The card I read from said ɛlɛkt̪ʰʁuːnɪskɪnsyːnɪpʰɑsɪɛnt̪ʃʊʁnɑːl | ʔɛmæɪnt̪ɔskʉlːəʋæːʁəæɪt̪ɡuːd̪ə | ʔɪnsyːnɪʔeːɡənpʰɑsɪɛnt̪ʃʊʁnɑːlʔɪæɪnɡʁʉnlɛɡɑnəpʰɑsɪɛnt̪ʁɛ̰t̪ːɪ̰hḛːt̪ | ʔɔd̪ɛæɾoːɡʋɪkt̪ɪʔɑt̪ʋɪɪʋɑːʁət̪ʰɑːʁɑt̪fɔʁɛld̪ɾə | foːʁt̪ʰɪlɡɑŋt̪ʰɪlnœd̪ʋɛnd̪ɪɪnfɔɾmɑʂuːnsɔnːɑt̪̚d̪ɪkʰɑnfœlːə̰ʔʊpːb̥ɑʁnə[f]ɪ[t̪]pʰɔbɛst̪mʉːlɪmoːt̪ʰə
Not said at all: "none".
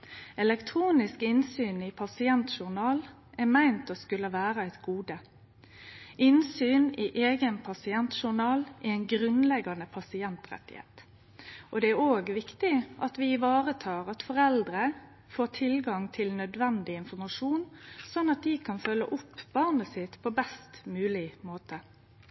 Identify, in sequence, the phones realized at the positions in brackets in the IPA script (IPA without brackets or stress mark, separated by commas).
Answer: s, t̪